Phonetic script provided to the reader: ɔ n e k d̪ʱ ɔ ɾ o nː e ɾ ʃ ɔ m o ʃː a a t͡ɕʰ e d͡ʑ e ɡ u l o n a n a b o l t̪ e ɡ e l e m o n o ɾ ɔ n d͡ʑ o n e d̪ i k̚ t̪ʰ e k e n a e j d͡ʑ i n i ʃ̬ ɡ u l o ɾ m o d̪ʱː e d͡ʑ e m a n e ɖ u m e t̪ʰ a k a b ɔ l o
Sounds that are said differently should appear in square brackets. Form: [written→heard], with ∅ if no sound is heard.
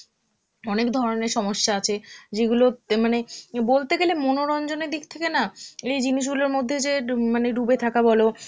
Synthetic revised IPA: ɔ n e k d̪ʱ ɔ ɾ o [nː→n] e ɾ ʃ ɔ m o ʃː a a t͡ɕʰ e d͡ʑ e ɡ u l o [n→m] a n [a→e] b o l t̪ e ɡ e l e m o n o ɾ ɔ n d͡ʑ o n e d̪ i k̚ t̪ʰ e k e n a e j d͡ʑ i n i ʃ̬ ɡ u l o ɾ m o d̪ʱː e d͡ʑ e m a n e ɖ u [m→b] e t̪ʰ a k a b ɔ l o

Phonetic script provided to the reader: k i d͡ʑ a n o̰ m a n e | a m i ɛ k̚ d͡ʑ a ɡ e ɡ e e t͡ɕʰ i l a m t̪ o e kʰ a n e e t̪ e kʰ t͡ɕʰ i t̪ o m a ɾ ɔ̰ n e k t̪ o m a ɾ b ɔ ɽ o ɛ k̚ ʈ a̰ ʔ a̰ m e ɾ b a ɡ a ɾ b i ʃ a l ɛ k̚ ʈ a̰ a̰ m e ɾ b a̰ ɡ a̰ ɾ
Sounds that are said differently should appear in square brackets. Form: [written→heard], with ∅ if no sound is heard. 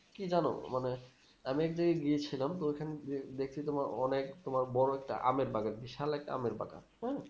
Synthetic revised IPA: k i d͡ʑ a n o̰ m a n e | a m i ɛ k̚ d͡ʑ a ɡ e ɡ [e→i] e t͡ɕʰ i l a m t̪ o e kʰ a n e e [t̪→d̪] e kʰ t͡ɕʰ i t̪ o m a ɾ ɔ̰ n e k t̪ o m a ɾ b ɔ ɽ o ɛ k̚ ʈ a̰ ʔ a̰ m e ɾ b a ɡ a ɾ b i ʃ a l ɛ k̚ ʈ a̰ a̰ m e ɾ b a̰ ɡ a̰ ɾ

